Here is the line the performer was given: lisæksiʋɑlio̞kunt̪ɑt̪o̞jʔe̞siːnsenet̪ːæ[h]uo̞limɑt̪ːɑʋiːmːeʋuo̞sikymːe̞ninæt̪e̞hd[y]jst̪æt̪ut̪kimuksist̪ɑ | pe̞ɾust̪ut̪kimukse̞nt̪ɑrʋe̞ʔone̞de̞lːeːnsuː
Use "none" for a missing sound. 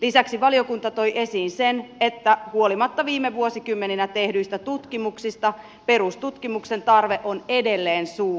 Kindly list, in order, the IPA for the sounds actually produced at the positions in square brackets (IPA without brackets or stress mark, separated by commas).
h, y